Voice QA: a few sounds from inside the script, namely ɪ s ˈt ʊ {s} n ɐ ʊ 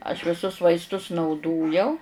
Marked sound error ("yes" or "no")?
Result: no